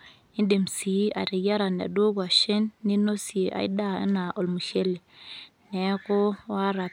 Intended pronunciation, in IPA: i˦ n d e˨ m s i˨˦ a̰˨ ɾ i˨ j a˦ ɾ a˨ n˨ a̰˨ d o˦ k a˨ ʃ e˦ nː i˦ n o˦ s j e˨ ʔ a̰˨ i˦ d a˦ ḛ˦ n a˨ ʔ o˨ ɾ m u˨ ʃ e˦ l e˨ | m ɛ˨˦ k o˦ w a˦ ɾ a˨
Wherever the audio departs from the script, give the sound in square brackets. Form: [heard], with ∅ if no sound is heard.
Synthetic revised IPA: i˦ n d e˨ m s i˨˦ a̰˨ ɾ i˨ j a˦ ɾ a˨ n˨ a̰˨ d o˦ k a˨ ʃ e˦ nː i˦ n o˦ s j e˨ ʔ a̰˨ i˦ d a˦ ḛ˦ n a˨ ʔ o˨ [l] m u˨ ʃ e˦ l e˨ | [n] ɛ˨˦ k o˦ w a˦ ɾ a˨